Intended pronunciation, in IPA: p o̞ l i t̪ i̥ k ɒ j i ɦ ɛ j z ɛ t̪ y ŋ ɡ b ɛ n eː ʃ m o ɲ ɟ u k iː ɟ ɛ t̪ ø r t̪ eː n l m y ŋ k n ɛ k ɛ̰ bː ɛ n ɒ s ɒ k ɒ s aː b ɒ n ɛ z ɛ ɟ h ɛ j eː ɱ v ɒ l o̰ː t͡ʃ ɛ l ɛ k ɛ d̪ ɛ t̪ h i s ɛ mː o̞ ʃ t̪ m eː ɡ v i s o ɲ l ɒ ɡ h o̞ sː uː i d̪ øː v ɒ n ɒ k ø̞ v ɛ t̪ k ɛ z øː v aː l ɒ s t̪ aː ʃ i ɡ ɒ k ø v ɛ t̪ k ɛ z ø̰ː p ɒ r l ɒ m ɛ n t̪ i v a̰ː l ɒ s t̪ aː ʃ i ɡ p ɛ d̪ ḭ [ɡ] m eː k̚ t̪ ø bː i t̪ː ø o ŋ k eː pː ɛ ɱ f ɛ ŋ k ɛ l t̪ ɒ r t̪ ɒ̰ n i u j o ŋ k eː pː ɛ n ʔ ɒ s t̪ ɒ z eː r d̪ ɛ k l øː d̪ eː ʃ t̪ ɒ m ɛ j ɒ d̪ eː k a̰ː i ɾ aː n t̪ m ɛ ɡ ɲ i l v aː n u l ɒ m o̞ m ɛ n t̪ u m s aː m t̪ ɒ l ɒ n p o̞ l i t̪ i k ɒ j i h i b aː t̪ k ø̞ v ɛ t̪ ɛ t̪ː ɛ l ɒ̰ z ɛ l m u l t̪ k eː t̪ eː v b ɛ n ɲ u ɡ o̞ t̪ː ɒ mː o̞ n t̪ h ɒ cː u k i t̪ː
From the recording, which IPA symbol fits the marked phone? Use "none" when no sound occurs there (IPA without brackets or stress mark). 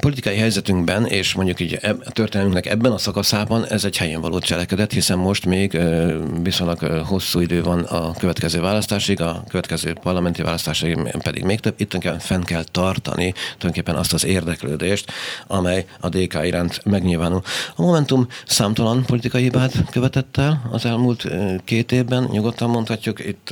ɡ